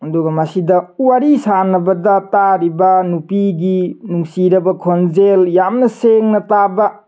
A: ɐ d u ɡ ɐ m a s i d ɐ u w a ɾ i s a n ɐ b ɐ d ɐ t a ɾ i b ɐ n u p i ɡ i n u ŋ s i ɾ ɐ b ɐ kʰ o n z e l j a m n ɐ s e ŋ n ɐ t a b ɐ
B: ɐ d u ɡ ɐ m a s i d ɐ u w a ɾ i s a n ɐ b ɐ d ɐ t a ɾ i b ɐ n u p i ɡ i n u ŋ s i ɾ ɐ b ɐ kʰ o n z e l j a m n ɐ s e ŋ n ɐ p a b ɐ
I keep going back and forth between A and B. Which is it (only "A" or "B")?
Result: A